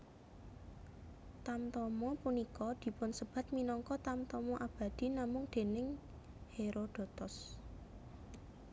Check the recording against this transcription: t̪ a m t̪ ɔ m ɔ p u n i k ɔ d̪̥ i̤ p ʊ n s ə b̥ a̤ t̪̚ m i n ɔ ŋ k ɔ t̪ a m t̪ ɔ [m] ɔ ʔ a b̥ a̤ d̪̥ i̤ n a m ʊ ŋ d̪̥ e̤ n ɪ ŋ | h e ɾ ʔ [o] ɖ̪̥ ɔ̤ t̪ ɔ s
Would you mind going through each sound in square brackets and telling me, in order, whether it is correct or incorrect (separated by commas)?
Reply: correct, correct